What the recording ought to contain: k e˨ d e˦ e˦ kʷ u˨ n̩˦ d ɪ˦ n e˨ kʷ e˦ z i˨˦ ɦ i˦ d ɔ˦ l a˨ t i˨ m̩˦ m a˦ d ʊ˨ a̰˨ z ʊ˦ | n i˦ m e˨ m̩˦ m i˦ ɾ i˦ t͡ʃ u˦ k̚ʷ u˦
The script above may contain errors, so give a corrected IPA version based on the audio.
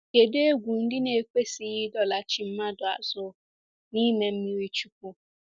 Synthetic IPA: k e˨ d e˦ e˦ ɡʷ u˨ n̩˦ d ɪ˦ n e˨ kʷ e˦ s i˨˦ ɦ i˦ d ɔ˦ l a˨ t͡ʃ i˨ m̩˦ m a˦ d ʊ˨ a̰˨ z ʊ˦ | n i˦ m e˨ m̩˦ m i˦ ɾ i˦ t͡ʃ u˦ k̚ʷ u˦